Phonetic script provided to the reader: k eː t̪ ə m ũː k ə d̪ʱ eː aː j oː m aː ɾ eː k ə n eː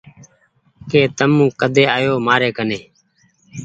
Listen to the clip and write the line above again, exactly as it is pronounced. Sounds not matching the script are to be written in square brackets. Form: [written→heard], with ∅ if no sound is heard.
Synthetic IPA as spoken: k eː t̪ ə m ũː k ə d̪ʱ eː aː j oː m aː ɾ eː k ə n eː

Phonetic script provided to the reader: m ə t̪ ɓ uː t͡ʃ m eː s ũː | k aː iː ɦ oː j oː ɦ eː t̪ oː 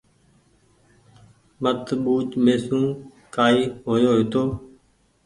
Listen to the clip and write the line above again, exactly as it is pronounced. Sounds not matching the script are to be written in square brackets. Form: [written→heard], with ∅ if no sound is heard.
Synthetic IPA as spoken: m ə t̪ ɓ uː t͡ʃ m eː s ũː | k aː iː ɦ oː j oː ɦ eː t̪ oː

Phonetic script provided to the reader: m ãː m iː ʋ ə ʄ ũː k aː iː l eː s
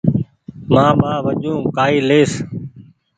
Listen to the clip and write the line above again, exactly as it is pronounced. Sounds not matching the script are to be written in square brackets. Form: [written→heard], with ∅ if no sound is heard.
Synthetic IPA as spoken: m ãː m [iː→aː] ʋ ə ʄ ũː k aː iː l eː s

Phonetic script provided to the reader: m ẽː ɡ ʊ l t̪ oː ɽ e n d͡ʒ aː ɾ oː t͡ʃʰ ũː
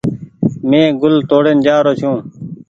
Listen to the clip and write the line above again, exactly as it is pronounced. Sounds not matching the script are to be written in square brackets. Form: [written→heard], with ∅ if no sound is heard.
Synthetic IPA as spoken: m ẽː ɡ ʊ l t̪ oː ɽ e n d͡ʒ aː ɾ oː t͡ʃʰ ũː

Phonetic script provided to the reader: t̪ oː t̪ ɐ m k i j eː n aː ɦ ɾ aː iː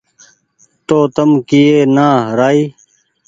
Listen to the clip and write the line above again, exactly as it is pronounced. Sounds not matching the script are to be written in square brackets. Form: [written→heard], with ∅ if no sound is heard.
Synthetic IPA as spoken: t̪ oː t̪ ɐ m k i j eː n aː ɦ ɾ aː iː

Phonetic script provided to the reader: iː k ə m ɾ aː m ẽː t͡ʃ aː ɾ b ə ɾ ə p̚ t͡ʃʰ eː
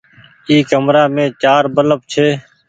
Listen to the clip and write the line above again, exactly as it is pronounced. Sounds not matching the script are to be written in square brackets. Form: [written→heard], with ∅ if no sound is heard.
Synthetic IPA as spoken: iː k ə m ɾ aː m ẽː t͡ʃ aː ɾ b ə [ɾ→l] ə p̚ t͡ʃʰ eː

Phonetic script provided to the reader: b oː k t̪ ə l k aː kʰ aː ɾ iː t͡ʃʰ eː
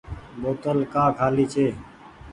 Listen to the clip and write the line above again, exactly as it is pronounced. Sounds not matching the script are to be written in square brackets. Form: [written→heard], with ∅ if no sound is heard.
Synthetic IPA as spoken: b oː [k→∅] t̪ ə l k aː kʰ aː [ɾ→l] iː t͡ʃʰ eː

